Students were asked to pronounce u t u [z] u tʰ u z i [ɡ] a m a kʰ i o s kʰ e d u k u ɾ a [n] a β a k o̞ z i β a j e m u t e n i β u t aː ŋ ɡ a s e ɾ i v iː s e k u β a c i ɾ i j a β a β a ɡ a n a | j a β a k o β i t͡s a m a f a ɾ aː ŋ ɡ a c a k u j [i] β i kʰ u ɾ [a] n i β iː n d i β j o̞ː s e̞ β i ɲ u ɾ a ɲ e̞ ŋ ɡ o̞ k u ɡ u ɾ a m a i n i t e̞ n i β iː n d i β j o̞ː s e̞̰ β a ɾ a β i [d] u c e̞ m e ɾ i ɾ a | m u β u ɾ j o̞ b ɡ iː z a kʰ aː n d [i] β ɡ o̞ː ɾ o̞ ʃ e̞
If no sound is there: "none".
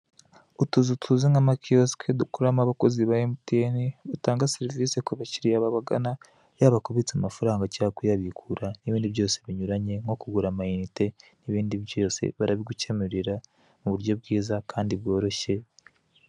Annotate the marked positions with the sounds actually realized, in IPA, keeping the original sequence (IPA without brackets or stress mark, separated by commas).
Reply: z, ŋ, m, a, a, ɡ, i